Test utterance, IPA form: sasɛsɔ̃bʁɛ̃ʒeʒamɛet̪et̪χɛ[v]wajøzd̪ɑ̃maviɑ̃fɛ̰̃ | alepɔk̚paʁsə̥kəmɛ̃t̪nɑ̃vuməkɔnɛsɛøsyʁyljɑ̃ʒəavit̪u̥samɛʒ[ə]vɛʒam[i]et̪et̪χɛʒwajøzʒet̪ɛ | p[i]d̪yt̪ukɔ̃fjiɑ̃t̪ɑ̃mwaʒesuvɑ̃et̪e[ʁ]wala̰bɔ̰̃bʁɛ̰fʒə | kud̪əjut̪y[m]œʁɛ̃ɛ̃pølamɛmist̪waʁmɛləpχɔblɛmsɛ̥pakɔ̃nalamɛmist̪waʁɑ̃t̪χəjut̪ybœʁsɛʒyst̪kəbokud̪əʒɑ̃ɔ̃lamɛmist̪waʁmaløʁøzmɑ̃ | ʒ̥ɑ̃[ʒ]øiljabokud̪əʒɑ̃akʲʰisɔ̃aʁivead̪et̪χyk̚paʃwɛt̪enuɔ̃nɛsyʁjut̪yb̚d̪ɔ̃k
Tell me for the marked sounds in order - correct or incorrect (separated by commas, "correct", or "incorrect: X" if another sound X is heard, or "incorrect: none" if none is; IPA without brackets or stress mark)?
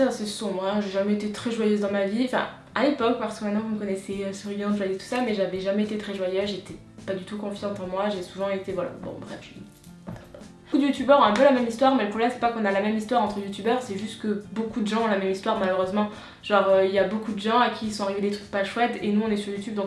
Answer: incorrect: ʒ, incorrect: a, incorrect: ɛ, incorrect: a, incorrect: v, incorrect: b, incorrect: ʁ